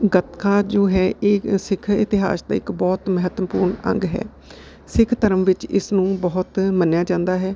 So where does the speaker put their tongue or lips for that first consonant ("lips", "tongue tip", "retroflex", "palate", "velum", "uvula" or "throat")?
velum